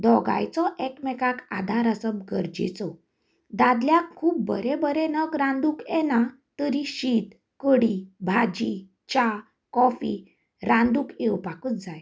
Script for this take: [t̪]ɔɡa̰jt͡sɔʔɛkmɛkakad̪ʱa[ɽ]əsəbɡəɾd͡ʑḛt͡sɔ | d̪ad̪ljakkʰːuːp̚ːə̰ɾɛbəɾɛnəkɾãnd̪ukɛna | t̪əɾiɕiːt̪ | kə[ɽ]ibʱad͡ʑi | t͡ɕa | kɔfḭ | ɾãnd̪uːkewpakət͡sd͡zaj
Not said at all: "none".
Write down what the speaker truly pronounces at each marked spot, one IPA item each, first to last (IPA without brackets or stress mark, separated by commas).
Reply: d̪, ɾ, ɽ